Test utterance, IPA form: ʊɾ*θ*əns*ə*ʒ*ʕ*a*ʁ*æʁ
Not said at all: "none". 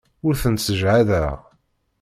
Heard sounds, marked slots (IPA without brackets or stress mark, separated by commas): θ, ə, ʕ, ð